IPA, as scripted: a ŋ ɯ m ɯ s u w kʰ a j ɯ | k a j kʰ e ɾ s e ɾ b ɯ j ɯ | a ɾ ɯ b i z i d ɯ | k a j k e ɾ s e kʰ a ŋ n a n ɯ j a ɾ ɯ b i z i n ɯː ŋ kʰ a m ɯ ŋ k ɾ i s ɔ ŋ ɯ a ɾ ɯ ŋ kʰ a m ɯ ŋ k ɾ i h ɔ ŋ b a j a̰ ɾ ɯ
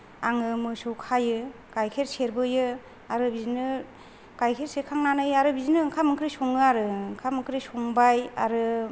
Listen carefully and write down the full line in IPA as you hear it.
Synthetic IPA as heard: a ŋ ɯ m ɯ s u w kʰ a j ɯ | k a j kʰ e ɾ s e ɾ b ɯ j ɯ | a ɾ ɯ b i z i n ɯ | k a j kʰ e ɾ s e kʰ a ŋ n a n ɯ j a ɾ ɯ b i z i n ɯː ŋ kʰ a m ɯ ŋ k ɾ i s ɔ ŋ ɯ a ɾ ɯ ŋ kʰ a m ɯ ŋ k ɾ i s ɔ ŋ b a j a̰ ɾ ɯ